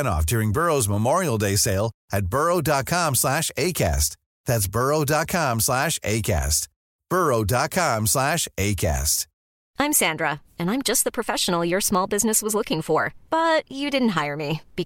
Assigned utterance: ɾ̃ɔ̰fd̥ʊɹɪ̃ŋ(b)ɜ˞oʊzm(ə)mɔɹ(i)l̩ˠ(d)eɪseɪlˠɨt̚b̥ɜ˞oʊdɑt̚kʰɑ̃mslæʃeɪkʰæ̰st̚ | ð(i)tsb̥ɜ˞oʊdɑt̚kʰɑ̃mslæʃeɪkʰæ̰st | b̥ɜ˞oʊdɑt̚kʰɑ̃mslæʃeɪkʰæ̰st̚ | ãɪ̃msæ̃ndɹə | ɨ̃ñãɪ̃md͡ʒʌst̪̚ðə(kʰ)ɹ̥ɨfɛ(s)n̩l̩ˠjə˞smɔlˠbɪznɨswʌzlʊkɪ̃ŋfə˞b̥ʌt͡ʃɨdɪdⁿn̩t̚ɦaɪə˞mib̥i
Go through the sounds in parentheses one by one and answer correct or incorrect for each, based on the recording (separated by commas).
correct, correct, correct, correct, incorrect, incorrect, incorrect